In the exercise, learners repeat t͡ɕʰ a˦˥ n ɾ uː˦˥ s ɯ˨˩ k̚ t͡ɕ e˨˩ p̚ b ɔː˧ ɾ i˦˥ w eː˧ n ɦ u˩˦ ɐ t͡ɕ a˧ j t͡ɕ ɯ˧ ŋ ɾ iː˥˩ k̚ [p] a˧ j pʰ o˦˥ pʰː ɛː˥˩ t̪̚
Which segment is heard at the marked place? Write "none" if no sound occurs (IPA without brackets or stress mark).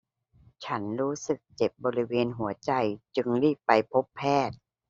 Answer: p